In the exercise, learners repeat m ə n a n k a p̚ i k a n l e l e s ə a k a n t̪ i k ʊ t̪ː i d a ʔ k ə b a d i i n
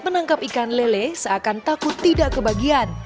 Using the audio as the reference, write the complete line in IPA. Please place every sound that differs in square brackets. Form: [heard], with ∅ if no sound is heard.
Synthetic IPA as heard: m ə n a [ŋ] k a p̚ i k a n l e l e s ə a k a n t̪ [a] k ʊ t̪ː i d a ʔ k ə b a [ɡ] i [a] n